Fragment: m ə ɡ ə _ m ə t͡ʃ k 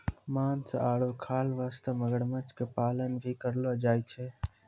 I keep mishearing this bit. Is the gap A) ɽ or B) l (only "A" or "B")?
A